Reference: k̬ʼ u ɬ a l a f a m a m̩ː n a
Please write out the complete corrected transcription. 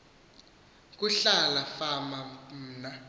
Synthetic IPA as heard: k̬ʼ u ɬ a l a f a m a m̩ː n a